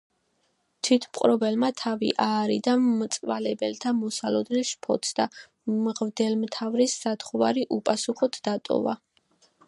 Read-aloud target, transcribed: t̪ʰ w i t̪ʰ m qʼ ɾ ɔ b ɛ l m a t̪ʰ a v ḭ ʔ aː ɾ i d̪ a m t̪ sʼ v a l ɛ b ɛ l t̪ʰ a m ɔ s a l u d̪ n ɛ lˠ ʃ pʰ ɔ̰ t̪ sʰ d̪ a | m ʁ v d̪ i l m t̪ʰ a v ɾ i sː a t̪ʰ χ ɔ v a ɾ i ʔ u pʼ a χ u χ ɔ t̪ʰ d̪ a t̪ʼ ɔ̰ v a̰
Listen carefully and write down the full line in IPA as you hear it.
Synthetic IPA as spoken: t̪ʰ w i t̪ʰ m qʼ ɾ ɔ b ɛ l m a t̪ʰ a v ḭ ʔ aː ɾ i d̪ a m t̪ sʼ v a l ɛ b ɛ l t̪ʰ a m ɔ s a l ɔ d̪ n ɛ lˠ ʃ pʰ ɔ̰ t̪ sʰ d̪ a | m ʁ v d̪ ɛ l m t̪ʰ a v ɾ i sː a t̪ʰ χ ɔ v a ɾ i ʔ u pʼ a s u χ ɔ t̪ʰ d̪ a t̪ʼ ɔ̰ v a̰